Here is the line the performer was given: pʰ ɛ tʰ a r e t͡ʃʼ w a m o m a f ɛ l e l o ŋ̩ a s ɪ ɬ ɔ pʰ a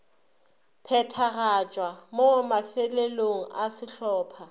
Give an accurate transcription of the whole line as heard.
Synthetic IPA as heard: pʰ ɛ tʰ a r a t͡ʃʼ w a m o m a f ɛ l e l o ŋ̩ a s ɪ ɬ ɔː pʰ a